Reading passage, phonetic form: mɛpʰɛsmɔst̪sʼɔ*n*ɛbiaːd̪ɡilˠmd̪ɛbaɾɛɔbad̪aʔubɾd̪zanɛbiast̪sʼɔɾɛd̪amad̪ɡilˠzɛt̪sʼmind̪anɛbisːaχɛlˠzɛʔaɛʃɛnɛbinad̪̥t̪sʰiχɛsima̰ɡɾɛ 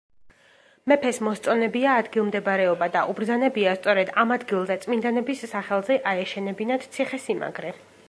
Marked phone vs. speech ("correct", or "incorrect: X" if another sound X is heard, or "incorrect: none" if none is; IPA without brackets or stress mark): correct